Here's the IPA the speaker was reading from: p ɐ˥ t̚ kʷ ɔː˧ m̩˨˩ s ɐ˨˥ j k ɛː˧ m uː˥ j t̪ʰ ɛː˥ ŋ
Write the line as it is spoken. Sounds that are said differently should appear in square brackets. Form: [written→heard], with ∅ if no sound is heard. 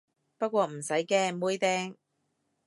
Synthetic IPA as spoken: p ɐ˥ t̚ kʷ ɔː˧ m̩˨˩ s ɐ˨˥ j k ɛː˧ m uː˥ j [t̪ʰ→t̪] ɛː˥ ŋ